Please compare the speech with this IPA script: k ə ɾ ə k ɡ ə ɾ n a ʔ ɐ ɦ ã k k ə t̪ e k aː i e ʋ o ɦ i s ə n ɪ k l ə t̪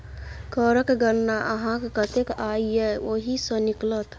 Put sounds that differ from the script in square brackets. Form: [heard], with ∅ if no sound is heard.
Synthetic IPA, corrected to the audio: k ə ɾ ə k ɡ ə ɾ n a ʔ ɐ ɦ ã k k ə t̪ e k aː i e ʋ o ɦ i s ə n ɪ k l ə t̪